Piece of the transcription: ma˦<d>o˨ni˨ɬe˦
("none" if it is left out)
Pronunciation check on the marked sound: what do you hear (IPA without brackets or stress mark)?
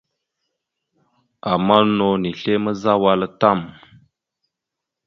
n